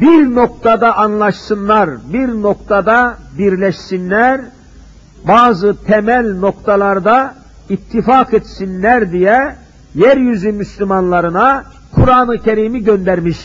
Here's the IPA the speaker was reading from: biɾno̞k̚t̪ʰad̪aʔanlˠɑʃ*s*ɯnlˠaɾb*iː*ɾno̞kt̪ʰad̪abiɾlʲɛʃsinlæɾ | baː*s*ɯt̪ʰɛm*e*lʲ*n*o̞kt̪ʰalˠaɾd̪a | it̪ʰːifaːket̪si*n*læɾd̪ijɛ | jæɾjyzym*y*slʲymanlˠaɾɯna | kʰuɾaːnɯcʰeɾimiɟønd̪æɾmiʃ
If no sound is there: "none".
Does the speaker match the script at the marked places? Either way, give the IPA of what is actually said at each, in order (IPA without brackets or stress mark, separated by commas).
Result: s, i, z, æ, n, n, y